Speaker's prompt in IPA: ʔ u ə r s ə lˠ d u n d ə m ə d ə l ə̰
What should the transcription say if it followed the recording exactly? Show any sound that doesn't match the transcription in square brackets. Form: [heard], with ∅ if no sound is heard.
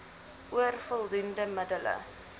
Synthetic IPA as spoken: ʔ u ə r [f] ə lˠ d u n d ə m ə d ə l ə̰